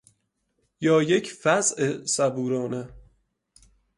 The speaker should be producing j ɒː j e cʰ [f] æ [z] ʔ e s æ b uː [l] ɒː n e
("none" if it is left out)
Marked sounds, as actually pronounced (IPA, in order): f, z, ɾ

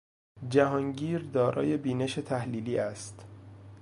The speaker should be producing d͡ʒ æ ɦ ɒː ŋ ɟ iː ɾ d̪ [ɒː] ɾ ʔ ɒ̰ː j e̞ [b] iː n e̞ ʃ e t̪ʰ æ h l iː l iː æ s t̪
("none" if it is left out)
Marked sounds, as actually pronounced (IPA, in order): ɒː, b

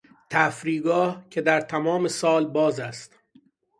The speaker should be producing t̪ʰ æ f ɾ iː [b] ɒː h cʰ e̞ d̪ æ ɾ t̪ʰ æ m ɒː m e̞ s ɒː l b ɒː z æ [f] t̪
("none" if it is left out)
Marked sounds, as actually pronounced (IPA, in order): ɡ, s

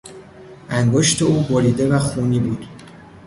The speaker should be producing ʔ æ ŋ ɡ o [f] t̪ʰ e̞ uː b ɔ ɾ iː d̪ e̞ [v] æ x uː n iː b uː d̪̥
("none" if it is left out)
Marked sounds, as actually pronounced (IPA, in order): ʃ, v

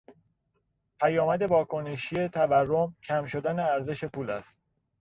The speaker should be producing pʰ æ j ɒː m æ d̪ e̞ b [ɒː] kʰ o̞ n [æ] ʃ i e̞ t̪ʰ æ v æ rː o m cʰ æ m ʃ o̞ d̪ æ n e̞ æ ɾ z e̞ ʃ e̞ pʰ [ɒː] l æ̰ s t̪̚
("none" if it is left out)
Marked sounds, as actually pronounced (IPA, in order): ɒː, e, uː

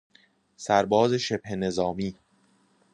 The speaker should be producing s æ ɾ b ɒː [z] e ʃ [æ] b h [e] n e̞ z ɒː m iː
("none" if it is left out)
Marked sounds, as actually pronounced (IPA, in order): z, e, e

